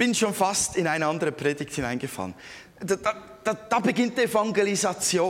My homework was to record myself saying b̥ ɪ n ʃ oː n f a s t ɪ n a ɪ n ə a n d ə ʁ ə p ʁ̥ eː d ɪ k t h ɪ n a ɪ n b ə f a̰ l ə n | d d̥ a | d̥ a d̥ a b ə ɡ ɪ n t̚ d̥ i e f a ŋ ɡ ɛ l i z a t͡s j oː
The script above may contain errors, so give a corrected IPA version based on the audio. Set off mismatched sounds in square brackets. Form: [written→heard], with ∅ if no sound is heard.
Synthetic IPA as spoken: b̥ ɪ n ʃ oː n f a s t ɪ n a ɪ n ə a n d ə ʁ ə p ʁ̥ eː d ɪ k t h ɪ n a ɪ n [b→ɡ] ə f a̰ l ə n | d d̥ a | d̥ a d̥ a b ə ɡ ɪ n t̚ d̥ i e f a ŋ ɡ [ɛ→e] l i z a t͡s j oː